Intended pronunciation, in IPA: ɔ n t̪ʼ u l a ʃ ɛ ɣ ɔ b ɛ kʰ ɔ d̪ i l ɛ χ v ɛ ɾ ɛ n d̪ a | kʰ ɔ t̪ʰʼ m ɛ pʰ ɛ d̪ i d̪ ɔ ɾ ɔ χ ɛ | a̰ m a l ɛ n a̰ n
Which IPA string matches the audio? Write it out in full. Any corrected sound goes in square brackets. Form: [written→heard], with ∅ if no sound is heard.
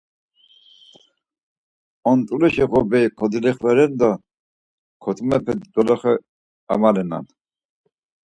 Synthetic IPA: ɔ n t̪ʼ u l [a→ɛ] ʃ ɛ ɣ ɔ b ɛ kʰ ɔ d̪ i l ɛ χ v ɛ ɾ ɛ n d̪ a | kʰ ɔ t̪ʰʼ m ɛ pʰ ɛ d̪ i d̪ ɔ [ɾ→l] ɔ χ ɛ | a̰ m a l ɛ n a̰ n